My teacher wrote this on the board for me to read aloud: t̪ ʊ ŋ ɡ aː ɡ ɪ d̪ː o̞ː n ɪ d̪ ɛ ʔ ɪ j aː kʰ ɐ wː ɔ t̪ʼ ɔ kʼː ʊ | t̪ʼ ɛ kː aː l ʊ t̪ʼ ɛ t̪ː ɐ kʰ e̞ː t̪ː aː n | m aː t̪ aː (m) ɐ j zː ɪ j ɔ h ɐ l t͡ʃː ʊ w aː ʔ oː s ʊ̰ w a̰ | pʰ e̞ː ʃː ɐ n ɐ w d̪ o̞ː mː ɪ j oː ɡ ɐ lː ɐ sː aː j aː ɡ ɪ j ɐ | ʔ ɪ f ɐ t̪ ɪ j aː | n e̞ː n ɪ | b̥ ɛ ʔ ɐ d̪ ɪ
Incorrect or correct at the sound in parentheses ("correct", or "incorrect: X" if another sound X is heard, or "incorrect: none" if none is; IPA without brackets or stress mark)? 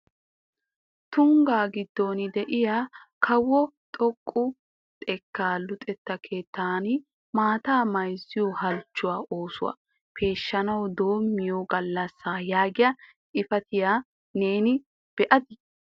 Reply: correct